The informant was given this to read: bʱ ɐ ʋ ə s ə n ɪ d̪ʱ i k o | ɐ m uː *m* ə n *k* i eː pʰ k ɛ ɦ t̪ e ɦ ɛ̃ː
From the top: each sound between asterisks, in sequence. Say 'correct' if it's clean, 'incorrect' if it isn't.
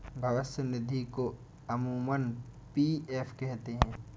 correct, incorrect: p

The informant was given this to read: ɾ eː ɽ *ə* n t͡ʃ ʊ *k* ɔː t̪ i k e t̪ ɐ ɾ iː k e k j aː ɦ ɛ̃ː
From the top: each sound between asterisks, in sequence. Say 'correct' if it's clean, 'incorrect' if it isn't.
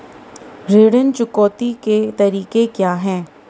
correct, correct

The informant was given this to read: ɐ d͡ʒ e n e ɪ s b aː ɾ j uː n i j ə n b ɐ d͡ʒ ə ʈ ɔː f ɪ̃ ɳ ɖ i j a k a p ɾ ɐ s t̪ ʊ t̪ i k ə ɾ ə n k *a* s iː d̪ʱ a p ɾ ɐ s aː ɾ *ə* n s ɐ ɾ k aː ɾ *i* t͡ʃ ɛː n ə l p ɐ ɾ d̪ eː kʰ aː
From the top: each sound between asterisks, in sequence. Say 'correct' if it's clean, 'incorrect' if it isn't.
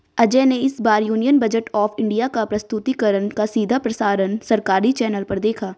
correct, correct, correct

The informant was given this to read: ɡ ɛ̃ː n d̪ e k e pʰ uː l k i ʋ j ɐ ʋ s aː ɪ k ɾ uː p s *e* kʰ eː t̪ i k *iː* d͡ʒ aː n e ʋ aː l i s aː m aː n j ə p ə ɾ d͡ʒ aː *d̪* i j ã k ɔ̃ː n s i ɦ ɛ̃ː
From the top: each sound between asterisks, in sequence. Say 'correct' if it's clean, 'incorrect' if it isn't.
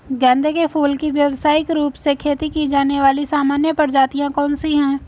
correct, incorrect: i, incorrect: t̪

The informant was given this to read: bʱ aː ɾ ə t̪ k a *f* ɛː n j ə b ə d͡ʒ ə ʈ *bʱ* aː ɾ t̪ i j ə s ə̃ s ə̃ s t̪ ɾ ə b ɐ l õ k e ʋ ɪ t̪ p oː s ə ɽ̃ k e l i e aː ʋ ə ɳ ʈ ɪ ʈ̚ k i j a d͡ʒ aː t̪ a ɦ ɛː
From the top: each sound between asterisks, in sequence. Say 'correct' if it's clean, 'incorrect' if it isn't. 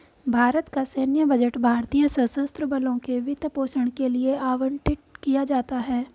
incorrect: s, correct

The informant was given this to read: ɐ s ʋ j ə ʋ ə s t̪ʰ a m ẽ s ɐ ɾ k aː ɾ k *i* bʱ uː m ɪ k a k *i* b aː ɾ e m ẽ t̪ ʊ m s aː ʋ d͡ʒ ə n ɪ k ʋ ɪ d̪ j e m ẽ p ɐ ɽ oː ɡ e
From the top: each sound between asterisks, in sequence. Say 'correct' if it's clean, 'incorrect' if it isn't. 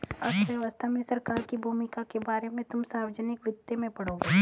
correct, incorrect: e

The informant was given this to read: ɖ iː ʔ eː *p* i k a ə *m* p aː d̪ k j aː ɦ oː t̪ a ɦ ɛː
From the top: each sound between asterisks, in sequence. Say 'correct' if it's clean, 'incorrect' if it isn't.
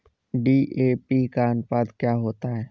correct, incorrect: n

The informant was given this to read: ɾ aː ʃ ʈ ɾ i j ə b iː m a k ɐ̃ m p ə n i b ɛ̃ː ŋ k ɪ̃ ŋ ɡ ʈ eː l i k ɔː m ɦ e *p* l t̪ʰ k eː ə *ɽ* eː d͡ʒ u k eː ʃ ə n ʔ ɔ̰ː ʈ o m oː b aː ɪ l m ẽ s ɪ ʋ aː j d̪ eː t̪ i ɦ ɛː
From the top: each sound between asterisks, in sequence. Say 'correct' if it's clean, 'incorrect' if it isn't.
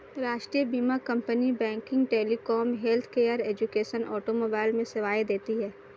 incorrect: none, incorrect: ɾ

